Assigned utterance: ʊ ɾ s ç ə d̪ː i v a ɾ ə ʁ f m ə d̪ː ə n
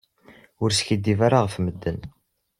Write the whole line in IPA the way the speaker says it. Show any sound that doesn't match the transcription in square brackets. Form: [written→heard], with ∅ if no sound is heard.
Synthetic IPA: ʊ ɾ s ç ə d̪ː i v a ɾ [ə→a] ʁ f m ə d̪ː ə n